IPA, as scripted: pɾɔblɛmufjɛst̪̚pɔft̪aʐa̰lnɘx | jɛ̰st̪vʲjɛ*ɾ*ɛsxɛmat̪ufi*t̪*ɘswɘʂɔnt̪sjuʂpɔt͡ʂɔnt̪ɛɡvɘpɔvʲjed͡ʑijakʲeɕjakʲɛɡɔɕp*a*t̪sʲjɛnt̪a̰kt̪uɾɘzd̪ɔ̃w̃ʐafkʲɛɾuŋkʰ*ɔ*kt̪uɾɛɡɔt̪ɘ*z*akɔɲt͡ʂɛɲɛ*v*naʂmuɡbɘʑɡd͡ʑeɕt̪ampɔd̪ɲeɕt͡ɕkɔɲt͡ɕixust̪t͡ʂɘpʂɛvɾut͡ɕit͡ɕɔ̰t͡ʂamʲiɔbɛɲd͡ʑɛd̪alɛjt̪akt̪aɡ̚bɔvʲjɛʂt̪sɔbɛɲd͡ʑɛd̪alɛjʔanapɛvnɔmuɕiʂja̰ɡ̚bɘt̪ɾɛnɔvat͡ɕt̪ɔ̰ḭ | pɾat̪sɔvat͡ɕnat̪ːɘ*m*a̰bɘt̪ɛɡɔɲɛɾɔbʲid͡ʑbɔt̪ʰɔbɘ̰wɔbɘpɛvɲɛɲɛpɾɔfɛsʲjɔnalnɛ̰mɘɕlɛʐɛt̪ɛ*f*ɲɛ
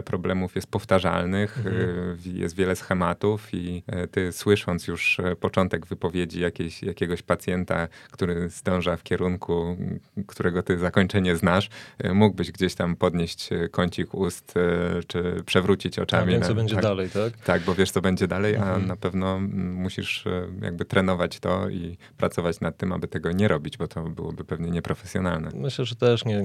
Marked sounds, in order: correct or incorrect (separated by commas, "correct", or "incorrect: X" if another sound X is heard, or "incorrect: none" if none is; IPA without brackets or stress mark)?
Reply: incorrect: l, correct, correct, incorrect: u, correct, incorrect: z, correct, incorrect: ʂ